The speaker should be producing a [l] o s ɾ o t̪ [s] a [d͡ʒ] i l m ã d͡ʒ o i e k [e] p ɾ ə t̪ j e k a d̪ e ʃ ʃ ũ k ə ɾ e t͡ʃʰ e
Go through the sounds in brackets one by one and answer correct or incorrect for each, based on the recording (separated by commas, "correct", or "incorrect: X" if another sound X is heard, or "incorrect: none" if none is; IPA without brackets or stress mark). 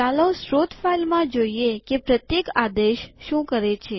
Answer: correct, incorrect: f, incorrect: none, correct